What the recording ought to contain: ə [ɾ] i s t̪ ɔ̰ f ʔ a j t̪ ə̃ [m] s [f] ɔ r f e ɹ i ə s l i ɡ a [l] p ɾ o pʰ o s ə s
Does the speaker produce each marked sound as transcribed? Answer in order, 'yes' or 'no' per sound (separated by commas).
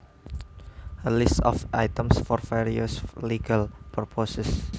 no, yes, yes, yes